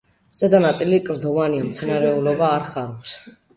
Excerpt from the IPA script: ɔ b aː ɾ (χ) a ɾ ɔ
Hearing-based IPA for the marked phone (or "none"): χ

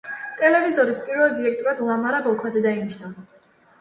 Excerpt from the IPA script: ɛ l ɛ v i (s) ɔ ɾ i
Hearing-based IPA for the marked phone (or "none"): z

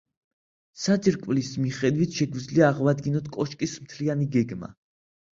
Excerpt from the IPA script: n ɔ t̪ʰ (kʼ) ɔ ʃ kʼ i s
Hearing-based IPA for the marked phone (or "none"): kʼ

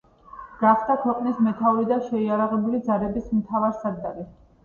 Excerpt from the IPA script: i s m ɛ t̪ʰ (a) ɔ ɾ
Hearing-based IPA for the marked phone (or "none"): a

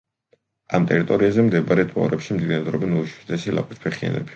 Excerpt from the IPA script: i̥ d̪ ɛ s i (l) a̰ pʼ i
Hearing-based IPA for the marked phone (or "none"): l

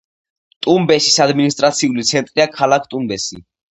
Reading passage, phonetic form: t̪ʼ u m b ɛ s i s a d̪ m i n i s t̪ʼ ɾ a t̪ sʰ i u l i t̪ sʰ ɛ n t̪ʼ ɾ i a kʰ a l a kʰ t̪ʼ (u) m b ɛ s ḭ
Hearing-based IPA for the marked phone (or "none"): u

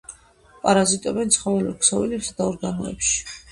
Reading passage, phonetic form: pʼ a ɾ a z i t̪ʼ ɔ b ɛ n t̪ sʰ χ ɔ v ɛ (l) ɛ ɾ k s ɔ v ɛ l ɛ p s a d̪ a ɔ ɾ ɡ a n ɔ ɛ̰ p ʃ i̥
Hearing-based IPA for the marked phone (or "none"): l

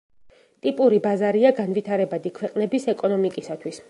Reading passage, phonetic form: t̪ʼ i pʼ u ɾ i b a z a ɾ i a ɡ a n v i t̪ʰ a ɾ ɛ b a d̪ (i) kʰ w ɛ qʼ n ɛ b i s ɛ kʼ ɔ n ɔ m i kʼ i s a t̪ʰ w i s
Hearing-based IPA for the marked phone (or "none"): i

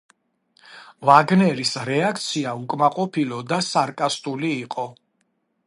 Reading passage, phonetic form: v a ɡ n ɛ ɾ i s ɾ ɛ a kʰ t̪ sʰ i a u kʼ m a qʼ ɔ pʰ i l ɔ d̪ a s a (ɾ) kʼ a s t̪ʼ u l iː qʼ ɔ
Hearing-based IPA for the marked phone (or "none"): ɾ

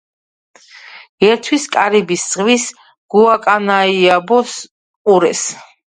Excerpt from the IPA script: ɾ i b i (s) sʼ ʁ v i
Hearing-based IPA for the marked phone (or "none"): s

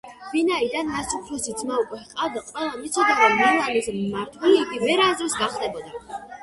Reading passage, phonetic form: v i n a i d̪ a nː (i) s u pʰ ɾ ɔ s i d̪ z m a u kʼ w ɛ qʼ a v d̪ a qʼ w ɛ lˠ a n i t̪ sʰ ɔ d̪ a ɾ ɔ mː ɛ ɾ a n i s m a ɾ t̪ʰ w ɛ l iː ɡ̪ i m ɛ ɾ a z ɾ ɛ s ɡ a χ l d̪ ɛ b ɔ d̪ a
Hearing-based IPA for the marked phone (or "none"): a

